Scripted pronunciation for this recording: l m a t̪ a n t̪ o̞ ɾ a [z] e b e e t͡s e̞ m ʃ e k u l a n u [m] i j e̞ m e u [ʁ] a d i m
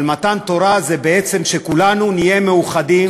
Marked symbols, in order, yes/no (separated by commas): yes, no, no